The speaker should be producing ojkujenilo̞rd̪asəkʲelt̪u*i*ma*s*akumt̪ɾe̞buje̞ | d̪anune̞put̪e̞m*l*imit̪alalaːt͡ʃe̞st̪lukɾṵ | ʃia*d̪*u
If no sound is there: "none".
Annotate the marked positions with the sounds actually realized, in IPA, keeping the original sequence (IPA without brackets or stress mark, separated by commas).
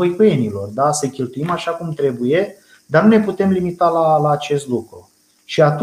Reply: i, ʃ, l, t̪